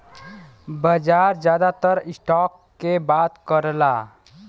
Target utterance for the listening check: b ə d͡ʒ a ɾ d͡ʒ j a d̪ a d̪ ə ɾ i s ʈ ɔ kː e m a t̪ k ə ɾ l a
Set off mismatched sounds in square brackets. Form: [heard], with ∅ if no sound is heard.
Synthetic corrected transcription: b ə d͡ʒ a ɾ d͡ʒ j a d̪ a [t̪] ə ɾ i s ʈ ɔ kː e [b] a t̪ k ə ɾ l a